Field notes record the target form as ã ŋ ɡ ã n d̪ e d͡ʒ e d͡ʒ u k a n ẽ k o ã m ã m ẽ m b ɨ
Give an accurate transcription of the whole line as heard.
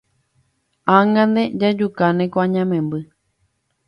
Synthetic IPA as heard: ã ŋ ɡ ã n d̪ e d͡ʒ a d͡ʒ u k a n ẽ k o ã ɲ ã m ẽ m b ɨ